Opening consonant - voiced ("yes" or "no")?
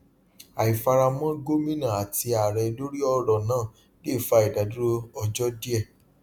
no